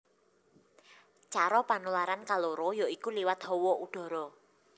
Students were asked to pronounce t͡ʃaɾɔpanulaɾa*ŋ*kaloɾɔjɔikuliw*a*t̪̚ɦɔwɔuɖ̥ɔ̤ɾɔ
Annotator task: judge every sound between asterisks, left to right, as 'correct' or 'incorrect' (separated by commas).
incorrect, correct